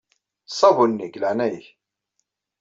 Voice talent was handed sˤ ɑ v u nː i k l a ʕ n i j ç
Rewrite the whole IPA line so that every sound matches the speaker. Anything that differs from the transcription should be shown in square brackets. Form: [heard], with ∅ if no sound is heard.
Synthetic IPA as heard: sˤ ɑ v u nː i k l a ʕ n [æ] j ç